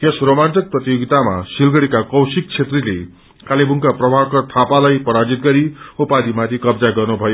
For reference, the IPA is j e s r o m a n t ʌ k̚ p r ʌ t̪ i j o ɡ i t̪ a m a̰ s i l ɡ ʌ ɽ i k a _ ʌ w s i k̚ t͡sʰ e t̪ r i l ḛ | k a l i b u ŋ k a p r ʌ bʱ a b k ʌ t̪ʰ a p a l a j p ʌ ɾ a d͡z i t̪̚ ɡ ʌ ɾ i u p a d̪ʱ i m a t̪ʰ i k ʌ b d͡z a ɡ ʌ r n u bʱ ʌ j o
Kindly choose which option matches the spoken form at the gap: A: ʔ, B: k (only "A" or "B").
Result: B